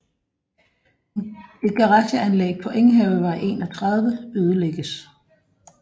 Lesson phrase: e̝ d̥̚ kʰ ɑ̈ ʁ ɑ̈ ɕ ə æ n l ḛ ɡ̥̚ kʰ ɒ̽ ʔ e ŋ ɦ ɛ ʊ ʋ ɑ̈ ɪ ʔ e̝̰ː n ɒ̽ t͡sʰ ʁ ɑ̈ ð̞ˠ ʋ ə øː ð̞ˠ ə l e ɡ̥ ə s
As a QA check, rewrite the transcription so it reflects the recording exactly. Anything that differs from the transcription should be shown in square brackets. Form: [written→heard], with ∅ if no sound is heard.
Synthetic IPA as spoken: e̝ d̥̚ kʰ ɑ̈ ʁ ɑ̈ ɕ ə æ n l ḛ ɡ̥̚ [kʰ→pʰ] ɒ̽ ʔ e ŋ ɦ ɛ ʊ ʋ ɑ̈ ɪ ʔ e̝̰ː n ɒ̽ t͡sʰ ʁ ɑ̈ ð̞ˠ ʋ ə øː ð̞ˠ ə l e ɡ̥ ə s